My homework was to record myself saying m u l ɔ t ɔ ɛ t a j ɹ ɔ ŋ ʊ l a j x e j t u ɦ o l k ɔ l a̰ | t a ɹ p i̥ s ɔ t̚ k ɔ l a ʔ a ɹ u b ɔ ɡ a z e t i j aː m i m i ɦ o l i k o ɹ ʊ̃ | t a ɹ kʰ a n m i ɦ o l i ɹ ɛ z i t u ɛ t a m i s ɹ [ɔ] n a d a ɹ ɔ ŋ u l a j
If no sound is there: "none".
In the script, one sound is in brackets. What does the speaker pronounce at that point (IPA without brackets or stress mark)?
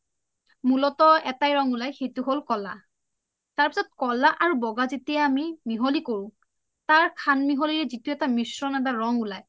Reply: ɔ